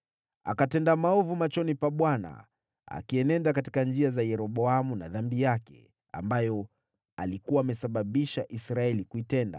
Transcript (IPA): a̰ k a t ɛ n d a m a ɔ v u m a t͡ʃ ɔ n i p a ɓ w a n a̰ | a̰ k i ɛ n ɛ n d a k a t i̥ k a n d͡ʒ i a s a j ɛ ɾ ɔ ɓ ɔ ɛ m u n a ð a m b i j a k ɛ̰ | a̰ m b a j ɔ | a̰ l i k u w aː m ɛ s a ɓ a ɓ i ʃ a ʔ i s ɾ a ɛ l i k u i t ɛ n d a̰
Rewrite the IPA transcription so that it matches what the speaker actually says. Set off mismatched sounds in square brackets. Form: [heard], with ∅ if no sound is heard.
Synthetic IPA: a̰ k a t ɛ n d a m a ɔ v u m a t͡ʃ ɔ n i p a ɓ w a n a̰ | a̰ k i ɛ n ɛ n d a k a t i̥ k a n d͡ʒ i a [z] a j ɛ ɾ ɔ ɓ ɔ [a] m u n a ð a m b i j a k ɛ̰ | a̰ m b a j ɔ | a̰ l i k u w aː m ɛ s a ɓ a ɓ i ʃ a ʔ i s ɾ a ɛ l i k u i t ɛ n d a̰